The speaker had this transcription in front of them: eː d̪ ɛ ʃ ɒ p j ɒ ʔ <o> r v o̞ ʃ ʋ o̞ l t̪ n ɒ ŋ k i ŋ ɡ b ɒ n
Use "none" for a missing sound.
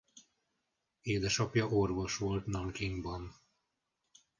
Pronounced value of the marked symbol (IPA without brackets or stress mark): o